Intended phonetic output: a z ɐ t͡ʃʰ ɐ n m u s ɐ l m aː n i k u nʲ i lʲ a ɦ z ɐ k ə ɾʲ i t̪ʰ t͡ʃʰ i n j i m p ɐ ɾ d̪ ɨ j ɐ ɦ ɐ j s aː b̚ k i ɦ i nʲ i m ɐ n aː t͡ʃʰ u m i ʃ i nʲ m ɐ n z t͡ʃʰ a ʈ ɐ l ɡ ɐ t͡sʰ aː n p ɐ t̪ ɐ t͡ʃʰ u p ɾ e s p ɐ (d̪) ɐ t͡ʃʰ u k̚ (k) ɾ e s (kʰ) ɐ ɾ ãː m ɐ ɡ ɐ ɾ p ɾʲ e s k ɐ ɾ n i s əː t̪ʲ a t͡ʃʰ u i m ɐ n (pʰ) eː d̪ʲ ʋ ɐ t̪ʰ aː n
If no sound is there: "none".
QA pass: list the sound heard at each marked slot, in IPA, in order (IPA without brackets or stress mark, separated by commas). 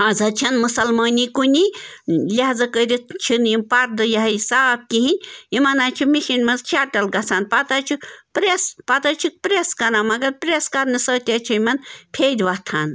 t̪, p, k, pʰ